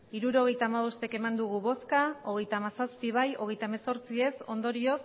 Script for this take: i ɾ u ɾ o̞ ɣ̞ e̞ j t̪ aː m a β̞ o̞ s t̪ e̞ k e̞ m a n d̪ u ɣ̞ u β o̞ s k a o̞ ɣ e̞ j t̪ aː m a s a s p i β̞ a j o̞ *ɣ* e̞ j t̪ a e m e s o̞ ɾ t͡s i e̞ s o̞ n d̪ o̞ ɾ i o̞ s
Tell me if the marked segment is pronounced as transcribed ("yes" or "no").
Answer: yes